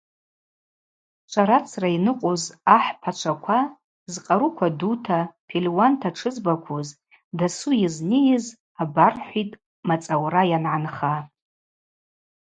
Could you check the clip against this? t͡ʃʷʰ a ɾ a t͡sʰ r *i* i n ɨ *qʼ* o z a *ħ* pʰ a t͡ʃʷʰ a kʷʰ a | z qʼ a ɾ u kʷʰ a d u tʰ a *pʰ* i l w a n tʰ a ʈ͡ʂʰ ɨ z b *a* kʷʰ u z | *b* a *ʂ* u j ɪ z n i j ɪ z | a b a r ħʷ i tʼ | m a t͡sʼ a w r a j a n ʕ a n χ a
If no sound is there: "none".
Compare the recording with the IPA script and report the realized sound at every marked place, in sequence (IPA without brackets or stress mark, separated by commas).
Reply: a, qʼ, ħ, pʰ, a, d, s